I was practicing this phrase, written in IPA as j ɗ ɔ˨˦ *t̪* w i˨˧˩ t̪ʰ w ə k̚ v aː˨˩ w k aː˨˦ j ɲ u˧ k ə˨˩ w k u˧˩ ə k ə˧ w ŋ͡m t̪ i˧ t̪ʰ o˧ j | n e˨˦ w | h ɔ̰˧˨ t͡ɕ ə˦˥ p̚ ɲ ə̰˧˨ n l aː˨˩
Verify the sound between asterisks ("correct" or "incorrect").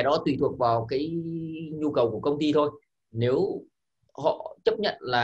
correct